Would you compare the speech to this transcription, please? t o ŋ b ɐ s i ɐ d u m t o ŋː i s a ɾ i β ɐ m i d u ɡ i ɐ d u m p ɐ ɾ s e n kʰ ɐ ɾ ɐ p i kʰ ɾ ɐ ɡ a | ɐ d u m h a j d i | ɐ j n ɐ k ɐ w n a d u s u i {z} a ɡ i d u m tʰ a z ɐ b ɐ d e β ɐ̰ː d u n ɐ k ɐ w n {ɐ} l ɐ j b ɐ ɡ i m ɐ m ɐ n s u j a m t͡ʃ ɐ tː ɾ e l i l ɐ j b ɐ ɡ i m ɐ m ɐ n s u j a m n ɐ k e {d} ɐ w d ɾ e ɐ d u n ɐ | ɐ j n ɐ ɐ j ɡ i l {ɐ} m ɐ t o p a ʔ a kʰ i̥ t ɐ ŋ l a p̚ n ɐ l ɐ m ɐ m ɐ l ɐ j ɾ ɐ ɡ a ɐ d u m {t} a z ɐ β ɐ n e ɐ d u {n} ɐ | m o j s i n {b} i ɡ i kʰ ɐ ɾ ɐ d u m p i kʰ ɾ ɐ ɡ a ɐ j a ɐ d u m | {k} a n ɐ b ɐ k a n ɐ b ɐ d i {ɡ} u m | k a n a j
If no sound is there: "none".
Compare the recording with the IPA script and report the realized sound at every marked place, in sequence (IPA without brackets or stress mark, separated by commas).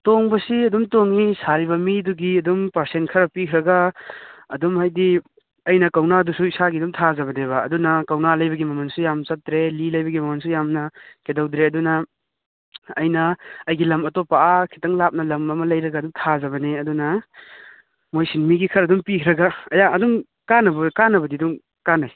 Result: s, a, d, ɐ, tʰ, n, m, k, d